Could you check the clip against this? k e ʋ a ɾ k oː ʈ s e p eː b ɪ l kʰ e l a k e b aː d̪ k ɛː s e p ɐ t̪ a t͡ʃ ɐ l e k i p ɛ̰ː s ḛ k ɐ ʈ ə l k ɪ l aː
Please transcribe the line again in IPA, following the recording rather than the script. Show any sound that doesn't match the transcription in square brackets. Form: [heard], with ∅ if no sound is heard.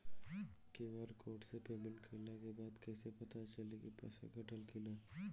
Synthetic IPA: k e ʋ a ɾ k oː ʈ s e p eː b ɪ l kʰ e l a k e b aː d̪ k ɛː s e p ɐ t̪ a t͡ʃ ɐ l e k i p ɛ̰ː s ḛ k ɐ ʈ ə l k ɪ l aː